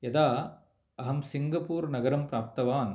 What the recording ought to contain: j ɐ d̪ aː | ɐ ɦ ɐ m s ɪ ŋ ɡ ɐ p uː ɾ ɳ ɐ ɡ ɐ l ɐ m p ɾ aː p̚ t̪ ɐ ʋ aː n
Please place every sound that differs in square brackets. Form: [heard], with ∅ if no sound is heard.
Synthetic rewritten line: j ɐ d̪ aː | ɐ ɦ ɐ m s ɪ ŋ ɡ ɐ p uː ɾ [n] ɐ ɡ ɐ [ɾ] ɐ m p ɾ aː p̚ t̪ ɐ ʋ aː n